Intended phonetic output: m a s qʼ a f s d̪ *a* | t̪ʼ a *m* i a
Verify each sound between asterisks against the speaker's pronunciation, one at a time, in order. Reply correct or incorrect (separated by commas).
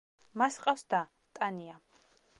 correct, incorrect